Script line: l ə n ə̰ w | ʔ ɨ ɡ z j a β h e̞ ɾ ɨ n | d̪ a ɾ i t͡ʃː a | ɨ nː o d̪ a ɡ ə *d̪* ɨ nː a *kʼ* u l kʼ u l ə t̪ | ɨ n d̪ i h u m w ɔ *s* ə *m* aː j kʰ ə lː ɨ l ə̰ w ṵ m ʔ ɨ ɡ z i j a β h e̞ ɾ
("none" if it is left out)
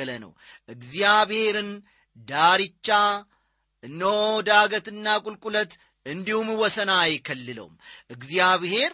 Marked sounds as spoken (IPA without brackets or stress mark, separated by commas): t̪, kʼ, s, n